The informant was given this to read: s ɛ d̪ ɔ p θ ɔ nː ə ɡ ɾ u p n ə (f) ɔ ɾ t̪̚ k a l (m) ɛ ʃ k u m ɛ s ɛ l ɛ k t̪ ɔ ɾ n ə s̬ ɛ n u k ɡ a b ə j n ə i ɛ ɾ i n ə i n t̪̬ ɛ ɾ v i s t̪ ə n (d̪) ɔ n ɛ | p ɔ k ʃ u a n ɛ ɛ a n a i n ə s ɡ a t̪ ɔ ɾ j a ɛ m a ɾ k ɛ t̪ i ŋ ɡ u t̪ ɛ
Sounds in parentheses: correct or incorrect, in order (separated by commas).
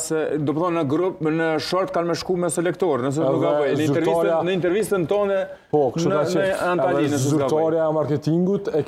incorrect, correct, incorrect